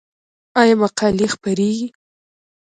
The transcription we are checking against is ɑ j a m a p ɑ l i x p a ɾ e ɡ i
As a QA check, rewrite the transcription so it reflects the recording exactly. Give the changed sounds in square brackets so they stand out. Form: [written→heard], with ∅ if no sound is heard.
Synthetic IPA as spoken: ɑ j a m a [p→q] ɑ l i x p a ɾ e ɡ i